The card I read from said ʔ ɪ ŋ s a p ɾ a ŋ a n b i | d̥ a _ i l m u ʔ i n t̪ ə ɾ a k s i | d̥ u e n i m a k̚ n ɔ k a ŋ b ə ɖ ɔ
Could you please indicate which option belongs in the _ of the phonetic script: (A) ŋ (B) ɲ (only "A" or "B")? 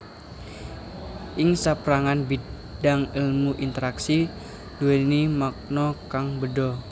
A